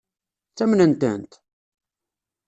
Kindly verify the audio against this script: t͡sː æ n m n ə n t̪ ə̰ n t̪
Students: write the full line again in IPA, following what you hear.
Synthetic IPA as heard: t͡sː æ m n ə n t̪ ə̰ n t̪